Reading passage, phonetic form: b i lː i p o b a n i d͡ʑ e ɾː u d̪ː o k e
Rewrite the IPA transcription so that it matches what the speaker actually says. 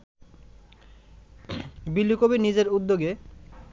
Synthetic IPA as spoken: b i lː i k o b i n i d͡ʑ e ɾ u d̪ː o ɡ e